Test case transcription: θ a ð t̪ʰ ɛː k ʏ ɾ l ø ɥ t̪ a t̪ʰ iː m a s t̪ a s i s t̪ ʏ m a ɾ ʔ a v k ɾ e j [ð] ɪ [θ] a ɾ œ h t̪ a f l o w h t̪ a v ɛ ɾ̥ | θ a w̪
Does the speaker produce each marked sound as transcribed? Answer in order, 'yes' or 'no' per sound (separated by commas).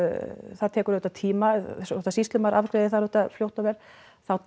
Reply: yes, yes